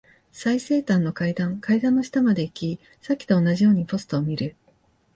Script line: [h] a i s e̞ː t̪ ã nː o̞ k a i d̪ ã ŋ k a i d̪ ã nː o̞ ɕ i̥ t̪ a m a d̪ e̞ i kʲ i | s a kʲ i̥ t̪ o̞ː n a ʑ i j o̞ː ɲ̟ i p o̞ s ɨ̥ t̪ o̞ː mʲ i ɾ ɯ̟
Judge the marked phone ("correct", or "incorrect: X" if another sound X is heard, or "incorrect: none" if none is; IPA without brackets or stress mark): incorrect: s